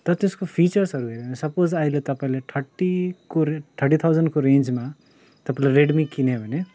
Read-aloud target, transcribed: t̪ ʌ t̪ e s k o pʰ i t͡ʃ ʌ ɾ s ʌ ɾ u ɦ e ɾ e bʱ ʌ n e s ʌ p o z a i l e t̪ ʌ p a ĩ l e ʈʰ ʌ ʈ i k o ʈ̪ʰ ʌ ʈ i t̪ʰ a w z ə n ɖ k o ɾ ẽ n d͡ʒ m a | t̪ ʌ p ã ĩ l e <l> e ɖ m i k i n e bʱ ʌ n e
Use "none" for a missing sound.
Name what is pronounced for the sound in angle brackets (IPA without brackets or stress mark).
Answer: ɾ